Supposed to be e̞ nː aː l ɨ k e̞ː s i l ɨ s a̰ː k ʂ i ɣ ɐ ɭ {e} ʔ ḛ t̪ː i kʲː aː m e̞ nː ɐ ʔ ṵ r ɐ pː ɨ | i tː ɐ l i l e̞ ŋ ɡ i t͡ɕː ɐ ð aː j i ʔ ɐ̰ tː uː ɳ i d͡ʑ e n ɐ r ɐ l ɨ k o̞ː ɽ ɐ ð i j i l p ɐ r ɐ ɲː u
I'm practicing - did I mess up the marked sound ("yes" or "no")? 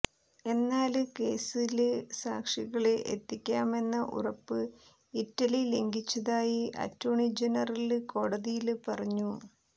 no